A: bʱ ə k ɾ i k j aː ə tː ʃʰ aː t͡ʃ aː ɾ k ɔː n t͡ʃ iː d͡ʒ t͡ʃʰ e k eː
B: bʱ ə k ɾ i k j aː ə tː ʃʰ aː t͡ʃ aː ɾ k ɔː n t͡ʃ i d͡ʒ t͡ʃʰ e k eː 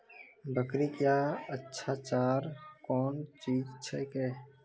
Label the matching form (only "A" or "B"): A